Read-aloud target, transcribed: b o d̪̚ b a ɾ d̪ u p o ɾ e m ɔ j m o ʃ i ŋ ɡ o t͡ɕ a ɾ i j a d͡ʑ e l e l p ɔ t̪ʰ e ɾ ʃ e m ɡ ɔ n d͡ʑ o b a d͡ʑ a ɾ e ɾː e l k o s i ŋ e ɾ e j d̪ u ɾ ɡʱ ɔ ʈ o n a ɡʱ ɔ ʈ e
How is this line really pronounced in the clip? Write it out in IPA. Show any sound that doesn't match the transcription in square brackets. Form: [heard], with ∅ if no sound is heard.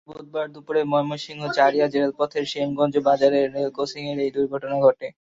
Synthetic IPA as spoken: b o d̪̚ b a ɾ d̪ u p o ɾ e m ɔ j m o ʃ i ŋ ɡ o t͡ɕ a ɾ i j a d͡ʑ e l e l p ɔ t̪ʰ e ɾ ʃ e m ɡ ɔ n d͡ʑ o b a d͡ʑ a ɾ e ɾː e l k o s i ŋ e ɾ e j d̪ u ɾ ɡʱ ɔ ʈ o n a ɡʱ ɔ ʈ e